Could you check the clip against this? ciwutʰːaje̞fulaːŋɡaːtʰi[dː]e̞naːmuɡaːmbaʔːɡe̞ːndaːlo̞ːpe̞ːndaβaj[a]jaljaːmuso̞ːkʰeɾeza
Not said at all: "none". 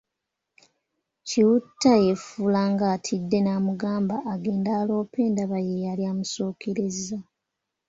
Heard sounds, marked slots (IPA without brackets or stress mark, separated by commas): dː, e